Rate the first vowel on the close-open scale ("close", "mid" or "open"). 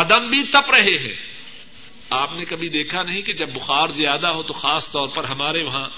open